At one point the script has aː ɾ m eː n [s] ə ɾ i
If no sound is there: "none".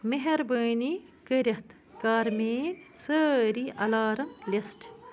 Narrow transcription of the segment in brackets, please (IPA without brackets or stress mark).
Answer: s